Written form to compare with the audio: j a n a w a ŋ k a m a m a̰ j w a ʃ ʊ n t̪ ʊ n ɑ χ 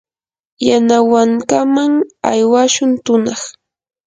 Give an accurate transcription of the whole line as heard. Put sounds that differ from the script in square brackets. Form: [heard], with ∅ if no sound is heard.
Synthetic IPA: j a n a w a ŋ k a m a [ŋ] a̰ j w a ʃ ʊ n t̪ ʊ n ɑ χ